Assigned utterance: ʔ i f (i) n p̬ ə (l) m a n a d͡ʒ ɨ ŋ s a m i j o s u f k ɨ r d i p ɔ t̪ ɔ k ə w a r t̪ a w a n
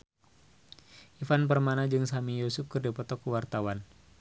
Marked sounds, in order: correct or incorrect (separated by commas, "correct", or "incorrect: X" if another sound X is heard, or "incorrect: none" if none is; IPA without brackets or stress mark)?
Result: incorrect: a, incorrect: r